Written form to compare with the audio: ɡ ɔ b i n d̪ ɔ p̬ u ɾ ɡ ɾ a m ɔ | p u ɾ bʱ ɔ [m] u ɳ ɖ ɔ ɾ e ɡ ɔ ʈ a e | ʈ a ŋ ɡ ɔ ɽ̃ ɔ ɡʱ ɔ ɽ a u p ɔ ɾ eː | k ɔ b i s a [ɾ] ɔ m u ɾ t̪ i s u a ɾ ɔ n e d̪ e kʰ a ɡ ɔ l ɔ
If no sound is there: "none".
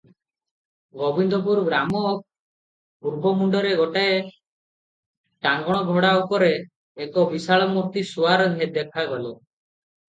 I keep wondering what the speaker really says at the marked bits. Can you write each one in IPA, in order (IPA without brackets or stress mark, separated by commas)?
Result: m, ɭ